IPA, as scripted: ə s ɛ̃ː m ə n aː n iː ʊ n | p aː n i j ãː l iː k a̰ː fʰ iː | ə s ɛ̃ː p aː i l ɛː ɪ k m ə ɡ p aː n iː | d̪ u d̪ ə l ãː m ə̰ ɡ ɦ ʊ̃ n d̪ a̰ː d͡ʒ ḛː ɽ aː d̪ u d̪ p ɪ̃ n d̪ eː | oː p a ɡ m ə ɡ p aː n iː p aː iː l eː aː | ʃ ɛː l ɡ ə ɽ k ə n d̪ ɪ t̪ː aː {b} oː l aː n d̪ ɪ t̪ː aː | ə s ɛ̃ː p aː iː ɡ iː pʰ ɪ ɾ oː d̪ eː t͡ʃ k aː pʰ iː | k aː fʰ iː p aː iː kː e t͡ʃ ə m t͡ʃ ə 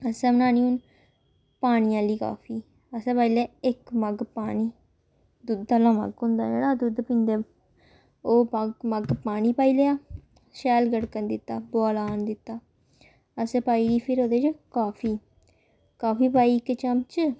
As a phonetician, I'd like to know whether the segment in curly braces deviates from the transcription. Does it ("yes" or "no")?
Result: no